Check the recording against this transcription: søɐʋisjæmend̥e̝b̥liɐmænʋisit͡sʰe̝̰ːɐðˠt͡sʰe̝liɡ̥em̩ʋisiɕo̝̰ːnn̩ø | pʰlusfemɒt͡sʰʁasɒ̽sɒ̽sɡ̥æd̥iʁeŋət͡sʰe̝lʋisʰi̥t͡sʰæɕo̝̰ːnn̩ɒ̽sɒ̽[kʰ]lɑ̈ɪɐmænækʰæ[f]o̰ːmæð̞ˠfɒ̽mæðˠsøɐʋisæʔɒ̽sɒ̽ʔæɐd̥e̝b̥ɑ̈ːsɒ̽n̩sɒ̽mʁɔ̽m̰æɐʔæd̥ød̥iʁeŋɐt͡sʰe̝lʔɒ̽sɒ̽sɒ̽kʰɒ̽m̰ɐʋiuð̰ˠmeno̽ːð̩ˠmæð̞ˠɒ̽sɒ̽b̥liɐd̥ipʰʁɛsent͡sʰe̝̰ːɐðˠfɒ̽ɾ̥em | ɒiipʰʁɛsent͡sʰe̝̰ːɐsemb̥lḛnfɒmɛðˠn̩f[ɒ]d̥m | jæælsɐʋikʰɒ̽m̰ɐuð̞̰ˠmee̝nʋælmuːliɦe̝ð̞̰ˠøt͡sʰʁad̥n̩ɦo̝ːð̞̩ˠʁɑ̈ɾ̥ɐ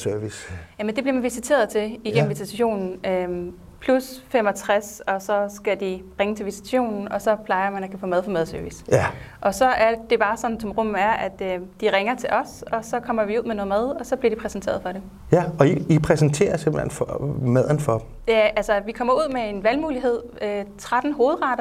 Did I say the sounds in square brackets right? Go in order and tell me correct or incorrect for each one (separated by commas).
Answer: incorrect, correct, correct